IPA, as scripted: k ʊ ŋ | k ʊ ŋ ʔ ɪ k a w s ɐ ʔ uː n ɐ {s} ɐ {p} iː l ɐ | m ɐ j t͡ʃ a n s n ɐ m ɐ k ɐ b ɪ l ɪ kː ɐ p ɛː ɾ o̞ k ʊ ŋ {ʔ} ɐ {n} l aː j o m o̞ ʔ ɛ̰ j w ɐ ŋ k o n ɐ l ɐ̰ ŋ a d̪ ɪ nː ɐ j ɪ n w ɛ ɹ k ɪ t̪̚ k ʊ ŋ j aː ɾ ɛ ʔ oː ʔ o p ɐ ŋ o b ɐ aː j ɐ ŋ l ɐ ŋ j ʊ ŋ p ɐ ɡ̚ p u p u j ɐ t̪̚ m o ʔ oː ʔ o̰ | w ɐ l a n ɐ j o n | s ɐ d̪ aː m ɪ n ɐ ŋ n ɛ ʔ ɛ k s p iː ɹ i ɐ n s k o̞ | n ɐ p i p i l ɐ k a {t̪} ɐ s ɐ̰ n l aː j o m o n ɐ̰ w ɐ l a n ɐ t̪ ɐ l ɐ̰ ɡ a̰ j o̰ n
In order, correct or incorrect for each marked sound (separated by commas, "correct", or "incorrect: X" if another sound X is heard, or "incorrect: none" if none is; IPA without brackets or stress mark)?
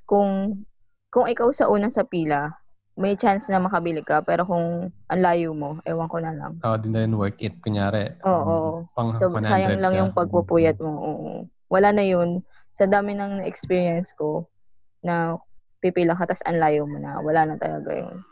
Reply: correct, correct, correct, correct, correct